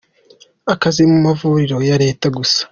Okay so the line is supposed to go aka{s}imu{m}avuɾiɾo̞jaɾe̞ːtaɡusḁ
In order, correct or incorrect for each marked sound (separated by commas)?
incorrect, correct